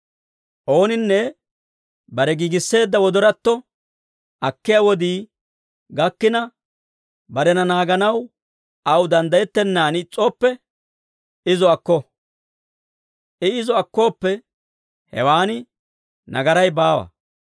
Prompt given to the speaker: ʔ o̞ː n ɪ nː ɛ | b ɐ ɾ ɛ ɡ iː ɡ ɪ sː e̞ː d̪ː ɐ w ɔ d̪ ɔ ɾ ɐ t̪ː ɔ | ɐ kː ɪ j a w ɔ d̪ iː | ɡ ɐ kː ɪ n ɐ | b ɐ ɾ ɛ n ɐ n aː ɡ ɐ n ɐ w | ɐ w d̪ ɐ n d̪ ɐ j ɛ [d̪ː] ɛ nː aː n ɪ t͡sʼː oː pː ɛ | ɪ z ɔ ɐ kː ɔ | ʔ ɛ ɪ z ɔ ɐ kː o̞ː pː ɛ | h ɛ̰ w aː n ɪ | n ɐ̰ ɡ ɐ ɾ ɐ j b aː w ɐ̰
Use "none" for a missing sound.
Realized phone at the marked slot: t̪ː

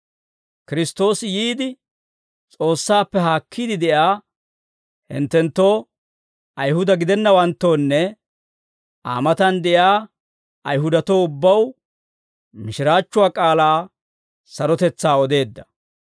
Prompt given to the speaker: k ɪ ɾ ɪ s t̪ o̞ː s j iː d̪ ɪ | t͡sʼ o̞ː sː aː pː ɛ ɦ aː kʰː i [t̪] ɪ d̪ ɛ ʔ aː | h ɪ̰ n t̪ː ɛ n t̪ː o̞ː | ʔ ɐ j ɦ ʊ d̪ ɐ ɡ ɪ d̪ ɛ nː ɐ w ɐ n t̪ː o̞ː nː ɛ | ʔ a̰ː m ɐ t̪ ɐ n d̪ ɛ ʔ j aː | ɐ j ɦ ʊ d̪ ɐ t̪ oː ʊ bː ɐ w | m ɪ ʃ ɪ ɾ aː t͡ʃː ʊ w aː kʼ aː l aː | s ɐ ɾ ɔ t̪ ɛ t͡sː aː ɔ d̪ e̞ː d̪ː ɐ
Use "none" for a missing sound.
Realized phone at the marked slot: d̪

